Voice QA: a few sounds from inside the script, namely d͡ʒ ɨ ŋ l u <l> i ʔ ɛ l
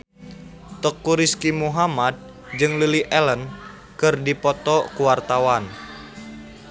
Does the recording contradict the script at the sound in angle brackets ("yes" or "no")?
no